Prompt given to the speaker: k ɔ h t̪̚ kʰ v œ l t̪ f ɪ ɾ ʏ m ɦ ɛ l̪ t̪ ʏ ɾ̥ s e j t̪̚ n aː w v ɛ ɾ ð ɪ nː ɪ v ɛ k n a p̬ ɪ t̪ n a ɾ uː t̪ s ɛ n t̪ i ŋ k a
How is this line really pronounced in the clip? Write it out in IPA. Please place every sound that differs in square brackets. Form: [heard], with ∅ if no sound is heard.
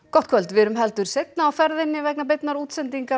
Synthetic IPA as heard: k ɔ h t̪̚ kʰ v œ l t̪ [v] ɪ ɾ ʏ m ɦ ɛ l̪ t̪ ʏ ɾ̥ s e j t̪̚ n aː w [f] ɛ ɾ ð ɪ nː ɪ v ɛ k n a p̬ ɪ t̪ n a ɾ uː t̪ s ɛ n t̪ i ŋ k a